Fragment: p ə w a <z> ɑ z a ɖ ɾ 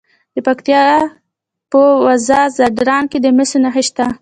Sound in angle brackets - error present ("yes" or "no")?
no